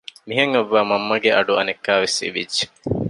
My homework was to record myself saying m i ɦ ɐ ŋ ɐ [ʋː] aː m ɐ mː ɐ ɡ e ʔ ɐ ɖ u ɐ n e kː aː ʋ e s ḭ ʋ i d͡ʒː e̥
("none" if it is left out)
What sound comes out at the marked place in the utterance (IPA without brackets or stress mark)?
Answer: ʋː